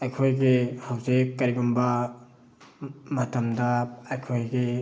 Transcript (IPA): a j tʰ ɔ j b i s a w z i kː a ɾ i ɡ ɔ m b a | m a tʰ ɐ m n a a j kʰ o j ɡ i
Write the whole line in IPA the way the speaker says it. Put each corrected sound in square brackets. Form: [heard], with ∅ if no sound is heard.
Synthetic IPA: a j [kʰ] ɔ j [ɡ] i [h] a w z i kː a ɾ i ɡ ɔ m b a | m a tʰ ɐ m [d] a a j kʰ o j ɡ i